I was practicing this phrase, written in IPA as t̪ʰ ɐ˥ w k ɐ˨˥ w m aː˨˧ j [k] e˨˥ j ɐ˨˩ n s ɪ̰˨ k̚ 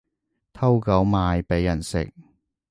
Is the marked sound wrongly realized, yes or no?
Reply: yes